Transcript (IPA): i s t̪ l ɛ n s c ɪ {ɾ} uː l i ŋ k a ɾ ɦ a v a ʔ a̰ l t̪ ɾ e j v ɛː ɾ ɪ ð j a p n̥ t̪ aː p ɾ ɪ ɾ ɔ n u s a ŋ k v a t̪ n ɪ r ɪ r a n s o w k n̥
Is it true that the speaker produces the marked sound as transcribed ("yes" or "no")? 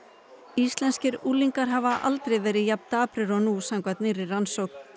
yes